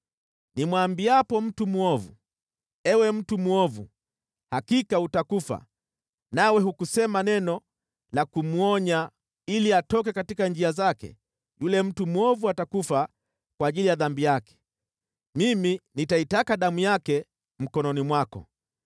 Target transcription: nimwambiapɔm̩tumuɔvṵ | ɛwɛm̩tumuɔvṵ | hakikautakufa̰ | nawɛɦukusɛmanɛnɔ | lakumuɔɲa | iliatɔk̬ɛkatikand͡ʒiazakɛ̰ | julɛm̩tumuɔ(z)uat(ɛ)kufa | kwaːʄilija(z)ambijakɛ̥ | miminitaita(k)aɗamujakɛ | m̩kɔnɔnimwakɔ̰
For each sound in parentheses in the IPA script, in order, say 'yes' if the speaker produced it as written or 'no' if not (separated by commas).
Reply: no, no, no, yes